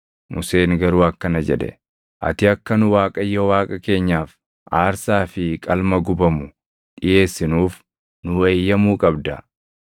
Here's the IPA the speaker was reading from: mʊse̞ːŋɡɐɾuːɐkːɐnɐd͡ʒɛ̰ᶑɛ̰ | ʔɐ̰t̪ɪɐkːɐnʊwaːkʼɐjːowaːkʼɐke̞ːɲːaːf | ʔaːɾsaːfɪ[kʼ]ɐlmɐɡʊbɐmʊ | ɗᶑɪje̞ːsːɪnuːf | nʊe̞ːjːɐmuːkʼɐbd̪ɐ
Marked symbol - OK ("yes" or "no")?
yes